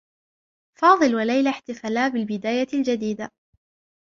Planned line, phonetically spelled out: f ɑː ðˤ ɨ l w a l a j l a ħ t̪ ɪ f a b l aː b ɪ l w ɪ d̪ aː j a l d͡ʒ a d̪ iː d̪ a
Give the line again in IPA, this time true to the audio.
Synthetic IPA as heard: f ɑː ðˤ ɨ l w a l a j l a ħ t̪ ɪ f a l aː b ɪ l b ɪ d̪ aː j a l d͡ʒ a d̪ iː d̪ a

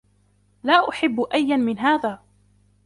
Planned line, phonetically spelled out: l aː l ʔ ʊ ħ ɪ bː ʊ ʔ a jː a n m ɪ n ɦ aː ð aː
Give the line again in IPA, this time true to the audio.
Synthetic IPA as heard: l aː ʔ ʊ ħ ɪ bː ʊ ʔ a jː a n m ɪ n ɦ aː ð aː

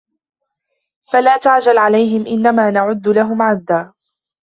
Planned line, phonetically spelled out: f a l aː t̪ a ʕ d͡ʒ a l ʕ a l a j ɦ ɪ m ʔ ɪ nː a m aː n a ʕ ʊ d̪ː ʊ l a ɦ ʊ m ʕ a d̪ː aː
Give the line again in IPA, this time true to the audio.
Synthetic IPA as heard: f a l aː t̪ a ʕ d͡ʒ a l ʕ a l a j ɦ ɪ m ʔ ɪ nː a m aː n a ʕ ʊ d̪ː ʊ l a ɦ ʊ m ʕ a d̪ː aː

